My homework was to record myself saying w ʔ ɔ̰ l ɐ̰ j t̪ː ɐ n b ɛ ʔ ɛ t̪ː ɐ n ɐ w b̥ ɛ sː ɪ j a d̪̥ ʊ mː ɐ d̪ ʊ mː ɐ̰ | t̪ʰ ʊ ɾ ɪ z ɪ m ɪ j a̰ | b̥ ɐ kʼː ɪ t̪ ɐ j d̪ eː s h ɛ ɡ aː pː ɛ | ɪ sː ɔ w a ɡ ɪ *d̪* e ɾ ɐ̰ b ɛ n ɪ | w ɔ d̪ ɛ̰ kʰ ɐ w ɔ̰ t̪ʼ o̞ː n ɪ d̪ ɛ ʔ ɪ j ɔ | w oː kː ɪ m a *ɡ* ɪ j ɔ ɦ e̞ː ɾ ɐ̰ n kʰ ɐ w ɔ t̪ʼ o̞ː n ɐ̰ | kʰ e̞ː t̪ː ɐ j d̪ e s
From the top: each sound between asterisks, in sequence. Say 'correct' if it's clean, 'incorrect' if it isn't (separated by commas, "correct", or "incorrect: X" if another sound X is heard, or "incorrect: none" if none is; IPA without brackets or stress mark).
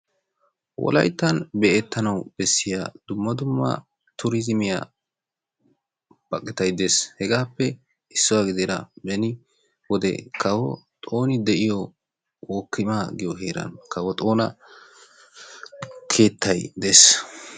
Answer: correct, correct